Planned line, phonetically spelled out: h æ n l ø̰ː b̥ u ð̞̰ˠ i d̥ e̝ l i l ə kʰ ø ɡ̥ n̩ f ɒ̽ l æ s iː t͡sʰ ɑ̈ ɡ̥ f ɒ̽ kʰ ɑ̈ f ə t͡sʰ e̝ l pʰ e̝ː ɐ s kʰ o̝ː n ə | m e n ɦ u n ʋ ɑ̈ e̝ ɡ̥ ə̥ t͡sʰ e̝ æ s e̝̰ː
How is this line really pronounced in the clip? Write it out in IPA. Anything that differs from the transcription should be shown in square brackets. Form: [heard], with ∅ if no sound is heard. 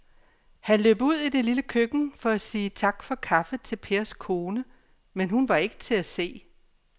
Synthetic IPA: h æ n l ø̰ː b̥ u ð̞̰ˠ i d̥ e̝ l i l ə kʰ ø ɡ̥ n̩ f ɒ̽ [∅] æ s iː t͡sʰ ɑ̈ ɡ̥ f ɒ̽ kʰ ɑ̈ f ə t͡sʰ e̝ l pʰ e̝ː ɐ s kʰ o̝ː n ə | m e n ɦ u n ʋ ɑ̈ e̝ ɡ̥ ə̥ t͡sʰ e̝ æ s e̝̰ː

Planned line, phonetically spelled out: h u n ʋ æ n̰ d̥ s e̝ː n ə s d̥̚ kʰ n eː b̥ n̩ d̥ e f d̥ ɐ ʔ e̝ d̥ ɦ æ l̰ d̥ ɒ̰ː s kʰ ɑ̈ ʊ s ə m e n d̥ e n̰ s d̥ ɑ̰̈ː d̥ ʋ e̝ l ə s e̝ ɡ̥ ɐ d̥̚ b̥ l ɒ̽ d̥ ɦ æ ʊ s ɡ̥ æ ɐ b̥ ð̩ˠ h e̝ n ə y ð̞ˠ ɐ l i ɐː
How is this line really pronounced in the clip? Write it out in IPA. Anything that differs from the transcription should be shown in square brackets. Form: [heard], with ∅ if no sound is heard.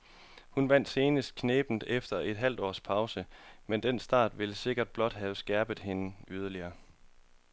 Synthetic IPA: h u n ʋ æ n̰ d̥ s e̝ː n ə s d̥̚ kʰ n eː b̥ n̩ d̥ e f d̥ ɐ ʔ e̝ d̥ ɦ æ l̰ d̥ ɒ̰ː s [pʰ] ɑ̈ ʊ s ə m e n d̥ e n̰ s d̥ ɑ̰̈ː d̥ ʋ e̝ l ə s e̝ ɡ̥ ɐ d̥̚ b̥ l ɒ̽ d̥ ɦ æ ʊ s ɡ̥ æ ɐ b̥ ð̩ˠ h e̝ n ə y ð̞ˠ ɐ l i ɐː

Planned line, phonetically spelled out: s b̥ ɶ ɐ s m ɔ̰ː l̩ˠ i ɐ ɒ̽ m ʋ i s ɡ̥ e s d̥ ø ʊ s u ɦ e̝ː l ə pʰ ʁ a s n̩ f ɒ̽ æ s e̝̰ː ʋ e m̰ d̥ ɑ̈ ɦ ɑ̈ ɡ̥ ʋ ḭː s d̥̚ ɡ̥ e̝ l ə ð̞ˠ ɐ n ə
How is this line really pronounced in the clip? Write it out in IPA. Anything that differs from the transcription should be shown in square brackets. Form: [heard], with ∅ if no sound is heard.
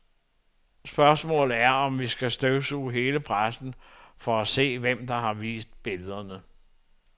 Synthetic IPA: s b̥ ɶ ɐ s m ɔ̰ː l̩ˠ [æ] ɐ ɒ̽ m ʋ i s ɡ̥ [æ] s d̥ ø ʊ s u ɦ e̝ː l ə pʰ ʁ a s n̩ f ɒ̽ æ s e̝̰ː ʋ e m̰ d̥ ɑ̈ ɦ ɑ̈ [∅] ʋ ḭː s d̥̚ [b̥] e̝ l ə ð̞ˠ ɐ n ə

